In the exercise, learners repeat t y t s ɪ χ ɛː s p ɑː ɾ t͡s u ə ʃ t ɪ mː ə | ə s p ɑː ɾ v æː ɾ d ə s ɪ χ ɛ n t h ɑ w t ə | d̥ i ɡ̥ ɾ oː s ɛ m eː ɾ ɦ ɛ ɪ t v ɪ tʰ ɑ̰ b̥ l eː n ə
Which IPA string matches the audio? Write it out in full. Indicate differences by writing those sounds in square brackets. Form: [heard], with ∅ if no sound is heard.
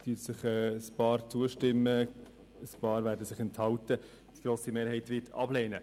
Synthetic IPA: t y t s ɪ χ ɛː s p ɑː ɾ t͡s u ə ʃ t ɪ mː ə | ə s p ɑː ɾ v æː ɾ d ə s ɪ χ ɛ n t h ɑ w t ə | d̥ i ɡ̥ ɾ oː s [i] m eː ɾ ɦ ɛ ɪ t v ɪ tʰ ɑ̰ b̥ l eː n ə